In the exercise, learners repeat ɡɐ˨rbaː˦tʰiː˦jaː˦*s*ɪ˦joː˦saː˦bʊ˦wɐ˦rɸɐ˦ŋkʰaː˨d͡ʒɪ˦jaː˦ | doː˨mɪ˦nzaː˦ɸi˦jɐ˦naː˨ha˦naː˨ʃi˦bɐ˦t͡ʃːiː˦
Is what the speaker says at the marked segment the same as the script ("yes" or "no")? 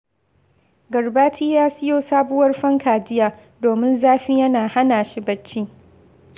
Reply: yes